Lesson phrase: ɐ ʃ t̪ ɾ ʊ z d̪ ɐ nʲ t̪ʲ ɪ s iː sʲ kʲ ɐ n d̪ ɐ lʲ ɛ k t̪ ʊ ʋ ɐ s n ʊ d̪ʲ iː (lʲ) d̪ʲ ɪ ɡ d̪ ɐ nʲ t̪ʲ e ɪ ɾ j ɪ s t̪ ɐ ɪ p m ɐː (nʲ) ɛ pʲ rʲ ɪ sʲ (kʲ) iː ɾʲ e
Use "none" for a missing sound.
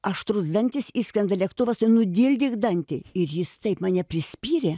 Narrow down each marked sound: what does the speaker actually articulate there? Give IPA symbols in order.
lʲ, nʲ, pʲ

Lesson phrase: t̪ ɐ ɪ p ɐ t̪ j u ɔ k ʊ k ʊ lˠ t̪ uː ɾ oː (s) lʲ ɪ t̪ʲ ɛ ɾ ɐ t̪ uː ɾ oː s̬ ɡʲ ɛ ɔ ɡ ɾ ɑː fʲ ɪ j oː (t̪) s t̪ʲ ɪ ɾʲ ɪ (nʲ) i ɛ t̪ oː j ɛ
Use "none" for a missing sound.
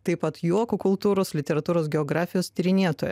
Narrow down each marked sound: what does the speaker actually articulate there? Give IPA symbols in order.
s, none, nʲ

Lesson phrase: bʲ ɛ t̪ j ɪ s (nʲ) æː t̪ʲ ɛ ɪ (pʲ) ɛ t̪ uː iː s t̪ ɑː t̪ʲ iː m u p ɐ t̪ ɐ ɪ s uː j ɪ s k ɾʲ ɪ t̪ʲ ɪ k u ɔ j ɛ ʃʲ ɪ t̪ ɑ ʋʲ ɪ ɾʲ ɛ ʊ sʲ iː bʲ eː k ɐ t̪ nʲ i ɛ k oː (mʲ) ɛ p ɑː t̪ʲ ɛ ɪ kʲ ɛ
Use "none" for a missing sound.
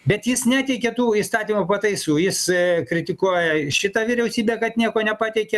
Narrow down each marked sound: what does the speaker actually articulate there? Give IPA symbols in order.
nʲ, kʲ, nʲ

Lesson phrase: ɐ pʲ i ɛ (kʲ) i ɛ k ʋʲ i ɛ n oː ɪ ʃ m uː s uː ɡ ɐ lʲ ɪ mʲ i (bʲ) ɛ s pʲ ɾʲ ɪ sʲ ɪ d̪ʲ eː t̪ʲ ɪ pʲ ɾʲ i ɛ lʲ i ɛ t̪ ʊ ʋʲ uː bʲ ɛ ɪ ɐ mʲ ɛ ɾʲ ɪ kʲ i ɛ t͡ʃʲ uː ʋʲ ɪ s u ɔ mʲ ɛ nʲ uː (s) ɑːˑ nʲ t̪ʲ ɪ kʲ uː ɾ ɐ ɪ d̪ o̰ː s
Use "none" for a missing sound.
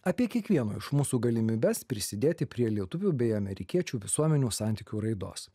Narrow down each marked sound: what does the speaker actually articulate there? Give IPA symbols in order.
kʲ, bʲ, s

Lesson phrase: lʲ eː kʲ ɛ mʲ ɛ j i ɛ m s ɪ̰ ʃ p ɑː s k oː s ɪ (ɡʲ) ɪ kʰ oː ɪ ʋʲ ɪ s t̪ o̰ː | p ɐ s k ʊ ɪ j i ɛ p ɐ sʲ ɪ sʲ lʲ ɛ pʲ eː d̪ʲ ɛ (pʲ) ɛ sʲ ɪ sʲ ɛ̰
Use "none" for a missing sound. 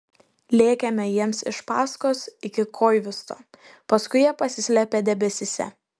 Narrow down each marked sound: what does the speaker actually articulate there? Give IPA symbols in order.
kʲ, bʲ

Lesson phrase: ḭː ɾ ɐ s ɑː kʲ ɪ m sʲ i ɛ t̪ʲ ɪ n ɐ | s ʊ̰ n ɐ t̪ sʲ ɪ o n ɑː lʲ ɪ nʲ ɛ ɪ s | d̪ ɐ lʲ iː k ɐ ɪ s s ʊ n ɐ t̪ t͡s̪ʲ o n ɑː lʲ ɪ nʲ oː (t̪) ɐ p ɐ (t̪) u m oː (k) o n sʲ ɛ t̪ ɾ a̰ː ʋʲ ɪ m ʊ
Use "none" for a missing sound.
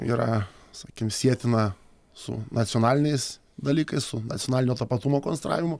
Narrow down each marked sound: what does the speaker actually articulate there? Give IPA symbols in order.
t̪, t̪, k

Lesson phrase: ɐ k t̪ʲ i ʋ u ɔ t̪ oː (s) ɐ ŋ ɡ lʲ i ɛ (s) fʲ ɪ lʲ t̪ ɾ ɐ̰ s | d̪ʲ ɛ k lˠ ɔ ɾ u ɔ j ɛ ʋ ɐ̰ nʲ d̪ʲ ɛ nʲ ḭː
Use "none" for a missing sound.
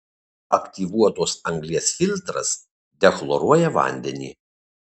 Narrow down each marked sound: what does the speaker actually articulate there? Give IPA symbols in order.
s, s

